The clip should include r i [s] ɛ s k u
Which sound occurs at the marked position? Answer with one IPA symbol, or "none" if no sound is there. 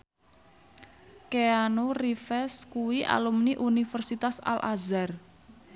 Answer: f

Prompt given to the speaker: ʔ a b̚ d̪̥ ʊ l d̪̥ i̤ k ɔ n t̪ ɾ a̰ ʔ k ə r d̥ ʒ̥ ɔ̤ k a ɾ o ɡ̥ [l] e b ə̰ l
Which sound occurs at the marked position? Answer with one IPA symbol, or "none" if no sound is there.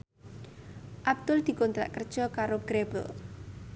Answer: ɾ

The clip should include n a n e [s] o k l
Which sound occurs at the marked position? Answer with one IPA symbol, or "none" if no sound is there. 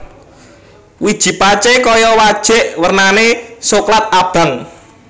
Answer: s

